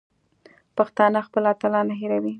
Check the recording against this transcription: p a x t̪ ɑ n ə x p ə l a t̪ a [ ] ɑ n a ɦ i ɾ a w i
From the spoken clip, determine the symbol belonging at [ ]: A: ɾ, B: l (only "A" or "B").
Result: B